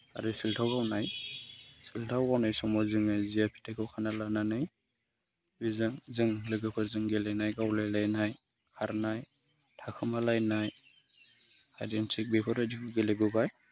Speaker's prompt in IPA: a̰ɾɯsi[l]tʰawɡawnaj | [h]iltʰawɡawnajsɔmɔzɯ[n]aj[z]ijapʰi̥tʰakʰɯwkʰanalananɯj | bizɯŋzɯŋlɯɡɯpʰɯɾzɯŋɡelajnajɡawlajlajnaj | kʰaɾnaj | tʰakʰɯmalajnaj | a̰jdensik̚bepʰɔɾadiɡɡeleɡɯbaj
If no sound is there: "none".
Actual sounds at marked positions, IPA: l, s, ŋ, z

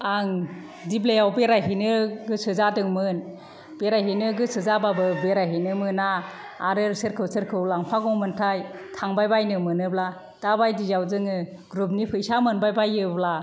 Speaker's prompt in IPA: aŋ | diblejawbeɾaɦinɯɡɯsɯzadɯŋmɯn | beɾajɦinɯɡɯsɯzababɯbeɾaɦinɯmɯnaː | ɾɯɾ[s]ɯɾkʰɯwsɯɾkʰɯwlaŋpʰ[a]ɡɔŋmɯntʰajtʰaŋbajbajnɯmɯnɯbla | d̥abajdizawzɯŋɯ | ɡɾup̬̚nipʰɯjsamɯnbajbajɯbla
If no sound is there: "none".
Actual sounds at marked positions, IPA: s, a

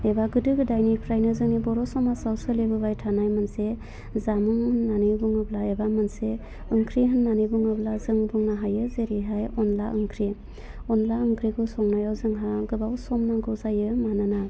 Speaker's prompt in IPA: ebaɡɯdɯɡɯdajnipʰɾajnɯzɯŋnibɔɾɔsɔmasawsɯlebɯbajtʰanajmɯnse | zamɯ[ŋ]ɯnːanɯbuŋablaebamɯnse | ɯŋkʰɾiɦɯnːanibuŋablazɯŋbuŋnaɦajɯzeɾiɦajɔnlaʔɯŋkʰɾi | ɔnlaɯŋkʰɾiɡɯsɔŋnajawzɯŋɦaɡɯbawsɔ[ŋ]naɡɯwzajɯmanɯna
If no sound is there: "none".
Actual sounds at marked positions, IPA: ŋ, m

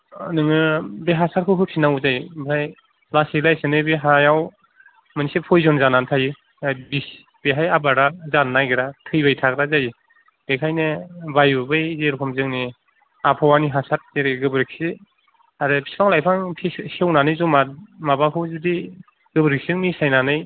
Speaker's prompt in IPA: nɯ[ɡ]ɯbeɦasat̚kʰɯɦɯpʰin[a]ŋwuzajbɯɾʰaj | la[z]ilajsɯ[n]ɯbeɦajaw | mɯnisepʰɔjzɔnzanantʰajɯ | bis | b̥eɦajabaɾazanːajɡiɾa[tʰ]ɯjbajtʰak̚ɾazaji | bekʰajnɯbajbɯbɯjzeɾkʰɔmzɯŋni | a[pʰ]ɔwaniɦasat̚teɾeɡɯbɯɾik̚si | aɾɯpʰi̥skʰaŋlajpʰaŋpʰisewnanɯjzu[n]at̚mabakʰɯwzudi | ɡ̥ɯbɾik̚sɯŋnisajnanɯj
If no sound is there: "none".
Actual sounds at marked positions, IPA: ŋ, a, s, n, tʰ, pʰ, m

